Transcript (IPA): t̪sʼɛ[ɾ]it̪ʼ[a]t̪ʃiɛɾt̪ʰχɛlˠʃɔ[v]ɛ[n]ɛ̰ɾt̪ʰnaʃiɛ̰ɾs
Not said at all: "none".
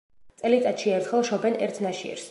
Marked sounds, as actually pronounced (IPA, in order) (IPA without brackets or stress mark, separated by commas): l, a, b, n